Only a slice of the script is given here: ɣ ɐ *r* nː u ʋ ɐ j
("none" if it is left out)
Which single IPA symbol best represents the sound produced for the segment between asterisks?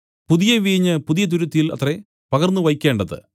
r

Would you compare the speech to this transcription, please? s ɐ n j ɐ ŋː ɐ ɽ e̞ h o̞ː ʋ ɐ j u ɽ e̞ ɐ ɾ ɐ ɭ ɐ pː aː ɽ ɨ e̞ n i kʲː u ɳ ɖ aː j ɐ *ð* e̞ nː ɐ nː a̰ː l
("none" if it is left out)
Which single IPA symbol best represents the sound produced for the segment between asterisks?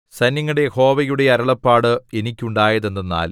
ð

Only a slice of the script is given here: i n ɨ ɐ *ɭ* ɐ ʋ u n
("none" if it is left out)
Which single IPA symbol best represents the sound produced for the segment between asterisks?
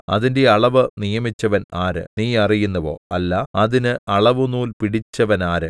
ɭ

